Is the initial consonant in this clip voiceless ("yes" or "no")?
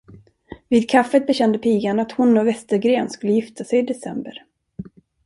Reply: no